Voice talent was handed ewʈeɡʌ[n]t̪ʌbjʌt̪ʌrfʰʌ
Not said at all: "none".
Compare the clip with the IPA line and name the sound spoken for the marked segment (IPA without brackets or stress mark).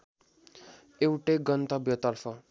n